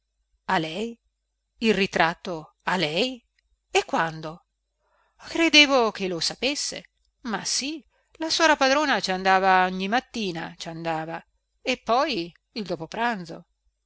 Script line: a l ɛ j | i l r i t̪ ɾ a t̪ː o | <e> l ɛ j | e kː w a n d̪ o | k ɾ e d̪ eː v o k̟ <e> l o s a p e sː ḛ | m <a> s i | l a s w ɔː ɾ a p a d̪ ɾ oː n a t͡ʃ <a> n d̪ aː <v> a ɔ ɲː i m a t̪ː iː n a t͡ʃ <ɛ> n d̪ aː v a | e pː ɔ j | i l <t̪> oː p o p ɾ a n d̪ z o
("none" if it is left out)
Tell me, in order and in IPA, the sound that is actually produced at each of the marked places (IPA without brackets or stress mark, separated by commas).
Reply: a, e, a, a, v, a, d̪